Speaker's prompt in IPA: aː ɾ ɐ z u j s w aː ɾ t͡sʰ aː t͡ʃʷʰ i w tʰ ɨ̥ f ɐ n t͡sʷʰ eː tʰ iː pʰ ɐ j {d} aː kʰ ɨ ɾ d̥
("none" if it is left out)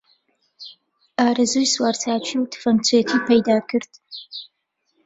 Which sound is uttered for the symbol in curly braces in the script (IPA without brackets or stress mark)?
d